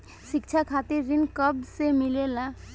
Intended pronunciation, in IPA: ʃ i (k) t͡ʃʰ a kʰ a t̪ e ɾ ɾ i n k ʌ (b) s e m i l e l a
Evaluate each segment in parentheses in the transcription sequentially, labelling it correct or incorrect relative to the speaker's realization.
correct, correct

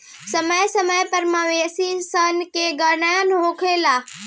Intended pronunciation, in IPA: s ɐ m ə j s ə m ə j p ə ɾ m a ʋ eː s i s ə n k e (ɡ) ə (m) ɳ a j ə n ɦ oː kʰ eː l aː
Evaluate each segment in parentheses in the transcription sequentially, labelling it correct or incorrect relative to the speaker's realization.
correct, incorrect

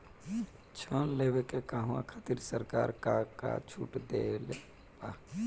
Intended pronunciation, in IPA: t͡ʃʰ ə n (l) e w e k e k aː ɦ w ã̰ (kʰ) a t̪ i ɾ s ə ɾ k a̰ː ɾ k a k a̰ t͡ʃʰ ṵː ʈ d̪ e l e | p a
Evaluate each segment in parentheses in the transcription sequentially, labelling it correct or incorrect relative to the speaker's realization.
correct, correct

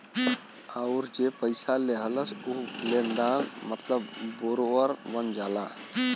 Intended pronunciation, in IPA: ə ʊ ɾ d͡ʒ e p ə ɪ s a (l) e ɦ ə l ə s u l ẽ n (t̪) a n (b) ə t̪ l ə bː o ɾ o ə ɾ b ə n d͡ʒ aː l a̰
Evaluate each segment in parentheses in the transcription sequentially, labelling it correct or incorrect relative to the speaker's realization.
correct, incorrect, incorrect

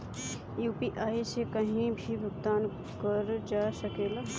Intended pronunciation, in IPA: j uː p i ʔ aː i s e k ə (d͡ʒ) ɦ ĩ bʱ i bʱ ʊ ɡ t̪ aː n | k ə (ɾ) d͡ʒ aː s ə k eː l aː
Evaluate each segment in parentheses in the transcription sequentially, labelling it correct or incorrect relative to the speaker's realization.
incorrect, correct

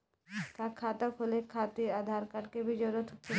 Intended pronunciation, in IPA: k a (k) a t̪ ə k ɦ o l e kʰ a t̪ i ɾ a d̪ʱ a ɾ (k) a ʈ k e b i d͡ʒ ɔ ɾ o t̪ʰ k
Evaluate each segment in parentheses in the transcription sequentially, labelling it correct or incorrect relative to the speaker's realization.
incorrect, correct

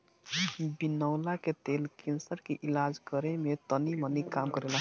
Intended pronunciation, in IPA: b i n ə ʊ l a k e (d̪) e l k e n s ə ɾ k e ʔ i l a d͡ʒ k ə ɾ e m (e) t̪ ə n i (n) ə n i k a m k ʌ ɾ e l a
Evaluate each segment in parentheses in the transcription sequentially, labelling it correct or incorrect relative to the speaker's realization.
incorrect, correct, incorrect

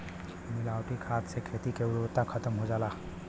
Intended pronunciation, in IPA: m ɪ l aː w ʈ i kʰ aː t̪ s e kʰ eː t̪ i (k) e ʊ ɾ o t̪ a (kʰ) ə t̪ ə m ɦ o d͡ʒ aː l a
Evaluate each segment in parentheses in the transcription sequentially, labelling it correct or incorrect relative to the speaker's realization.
correct, correct

